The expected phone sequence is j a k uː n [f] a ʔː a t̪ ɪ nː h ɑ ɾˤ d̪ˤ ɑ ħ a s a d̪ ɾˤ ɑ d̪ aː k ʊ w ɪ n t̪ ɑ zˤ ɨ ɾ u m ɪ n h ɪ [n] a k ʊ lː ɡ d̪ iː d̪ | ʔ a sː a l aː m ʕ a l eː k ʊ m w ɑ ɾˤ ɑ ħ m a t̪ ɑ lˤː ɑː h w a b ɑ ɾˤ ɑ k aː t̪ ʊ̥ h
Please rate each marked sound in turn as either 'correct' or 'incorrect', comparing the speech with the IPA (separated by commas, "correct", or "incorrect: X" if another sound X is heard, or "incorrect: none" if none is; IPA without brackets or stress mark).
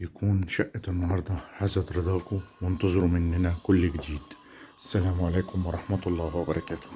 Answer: incorrect: ʃ, correct